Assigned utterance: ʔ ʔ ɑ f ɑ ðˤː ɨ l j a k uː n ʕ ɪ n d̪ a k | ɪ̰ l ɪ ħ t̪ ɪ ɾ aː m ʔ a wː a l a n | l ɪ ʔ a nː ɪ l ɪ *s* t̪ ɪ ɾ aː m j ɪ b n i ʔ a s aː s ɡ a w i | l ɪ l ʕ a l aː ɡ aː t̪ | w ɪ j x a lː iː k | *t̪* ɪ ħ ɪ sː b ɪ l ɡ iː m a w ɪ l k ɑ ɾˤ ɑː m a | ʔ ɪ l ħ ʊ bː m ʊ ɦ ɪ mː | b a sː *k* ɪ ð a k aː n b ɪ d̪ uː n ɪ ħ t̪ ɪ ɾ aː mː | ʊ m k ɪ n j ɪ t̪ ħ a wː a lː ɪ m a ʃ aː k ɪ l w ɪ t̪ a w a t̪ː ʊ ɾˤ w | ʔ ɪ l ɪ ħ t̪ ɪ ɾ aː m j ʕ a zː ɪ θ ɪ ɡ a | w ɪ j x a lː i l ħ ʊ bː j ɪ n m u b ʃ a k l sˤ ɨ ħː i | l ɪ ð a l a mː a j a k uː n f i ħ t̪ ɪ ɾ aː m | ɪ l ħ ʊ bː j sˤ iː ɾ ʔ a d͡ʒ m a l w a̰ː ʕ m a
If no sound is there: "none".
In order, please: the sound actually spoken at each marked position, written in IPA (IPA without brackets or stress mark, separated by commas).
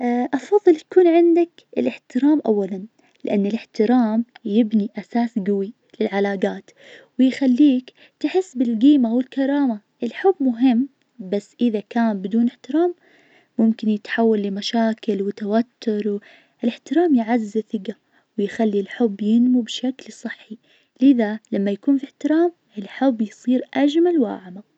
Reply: ħ, t̪, ʔ